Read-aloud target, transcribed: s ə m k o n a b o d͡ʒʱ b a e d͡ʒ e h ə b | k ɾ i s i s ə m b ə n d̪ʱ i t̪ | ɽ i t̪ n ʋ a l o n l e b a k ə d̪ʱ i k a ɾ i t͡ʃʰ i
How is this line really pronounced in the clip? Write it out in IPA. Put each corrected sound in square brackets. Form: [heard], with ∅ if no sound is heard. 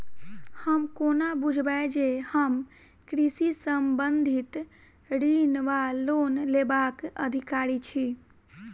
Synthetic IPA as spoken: [h] ə m k o n a b [u] d͡ʒʱ b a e d͡ʒ e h ə [m] | k ɾ i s i s ə m b ə n d̪ʱ i t̪ | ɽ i [∅] n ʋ a l o n l e b a k ə d̪ʱ i k a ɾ i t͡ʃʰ i